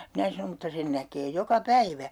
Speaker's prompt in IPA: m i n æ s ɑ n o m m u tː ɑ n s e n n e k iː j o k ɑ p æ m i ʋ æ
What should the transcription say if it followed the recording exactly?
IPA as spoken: m i n æ s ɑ n o m m u tː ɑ s e n n æ k eː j o k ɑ p æ i ʋ æ